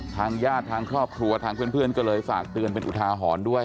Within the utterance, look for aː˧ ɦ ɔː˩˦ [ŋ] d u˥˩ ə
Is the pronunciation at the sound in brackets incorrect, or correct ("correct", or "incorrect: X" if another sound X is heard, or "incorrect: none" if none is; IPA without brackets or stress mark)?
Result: incorrect: n